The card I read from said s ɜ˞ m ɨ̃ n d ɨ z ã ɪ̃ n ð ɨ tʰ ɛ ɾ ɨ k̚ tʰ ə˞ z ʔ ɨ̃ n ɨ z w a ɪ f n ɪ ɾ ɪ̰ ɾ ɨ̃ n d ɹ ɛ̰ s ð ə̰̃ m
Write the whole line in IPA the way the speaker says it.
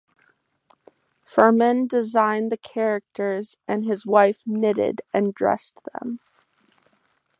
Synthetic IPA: f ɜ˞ m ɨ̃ n d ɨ z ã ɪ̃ n ð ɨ kʰ ɛ ɹ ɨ k̚ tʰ ə˞ z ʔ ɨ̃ n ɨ z w a ɪ f n ɪ ɾ ɪ̰ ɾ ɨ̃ n d ɹ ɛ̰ s ð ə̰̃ m